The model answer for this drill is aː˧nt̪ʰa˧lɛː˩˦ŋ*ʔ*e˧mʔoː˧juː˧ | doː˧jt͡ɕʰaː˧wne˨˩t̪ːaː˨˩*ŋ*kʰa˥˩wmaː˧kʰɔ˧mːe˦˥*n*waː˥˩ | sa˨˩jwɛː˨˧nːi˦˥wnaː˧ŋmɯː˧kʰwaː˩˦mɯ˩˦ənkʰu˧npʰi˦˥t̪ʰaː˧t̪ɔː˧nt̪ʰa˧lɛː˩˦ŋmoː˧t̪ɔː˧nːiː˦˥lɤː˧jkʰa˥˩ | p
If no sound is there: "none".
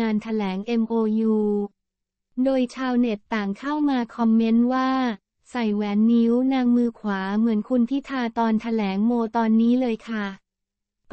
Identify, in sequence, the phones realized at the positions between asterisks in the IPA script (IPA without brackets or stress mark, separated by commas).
ʔ, ŋ, n